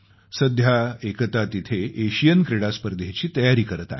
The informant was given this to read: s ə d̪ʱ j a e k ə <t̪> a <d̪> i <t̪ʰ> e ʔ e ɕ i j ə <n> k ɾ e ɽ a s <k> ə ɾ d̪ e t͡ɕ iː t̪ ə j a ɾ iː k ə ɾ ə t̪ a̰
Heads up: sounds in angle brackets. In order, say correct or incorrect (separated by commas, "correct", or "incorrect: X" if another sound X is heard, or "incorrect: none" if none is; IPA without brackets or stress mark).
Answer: correct, incorrect: t̪, correct, correct, incorrect: p